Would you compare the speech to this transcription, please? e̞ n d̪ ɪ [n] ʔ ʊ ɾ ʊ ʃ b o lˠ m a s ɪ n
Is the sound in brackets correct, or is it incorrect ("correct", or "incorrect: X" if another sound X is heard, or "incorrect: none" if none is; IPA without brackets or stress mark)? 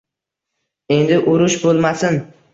incorrect: none